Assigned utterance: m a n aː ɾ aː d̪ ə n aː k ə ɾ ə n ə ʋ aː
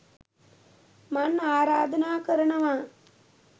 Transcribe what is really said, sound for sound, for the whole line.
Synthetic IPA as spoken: m a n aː ɾ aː d̪ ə n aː k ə ɾ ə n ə ʋ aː